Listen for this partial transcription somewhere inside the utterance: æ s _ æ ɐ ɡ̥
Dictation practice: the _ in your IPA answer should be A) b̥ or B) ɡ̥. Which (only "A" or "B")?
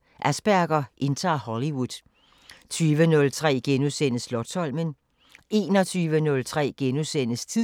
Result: A